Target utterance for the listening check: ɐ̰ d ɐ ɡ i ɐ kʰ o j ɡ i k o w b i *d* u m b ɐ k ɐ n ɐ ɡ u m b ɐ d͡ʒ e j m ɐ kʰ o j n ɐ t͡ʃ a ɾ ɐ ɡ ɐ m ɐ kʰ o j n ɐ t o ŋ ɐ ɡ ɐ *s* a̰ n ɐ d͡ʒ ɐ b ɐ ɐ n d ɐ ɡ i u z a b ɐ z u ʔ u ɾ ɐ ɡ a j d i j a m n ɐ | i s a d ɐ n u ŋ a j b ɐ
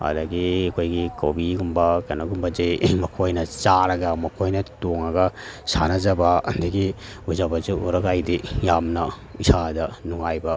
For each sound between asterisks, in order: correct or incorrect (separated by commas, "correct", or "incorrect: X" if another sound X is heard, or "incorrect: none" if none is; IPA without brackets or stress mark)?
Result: incorrect: ɡ, correct